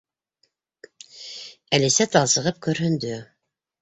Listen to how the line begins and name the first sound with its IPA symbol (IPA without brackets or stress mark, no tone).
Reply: æ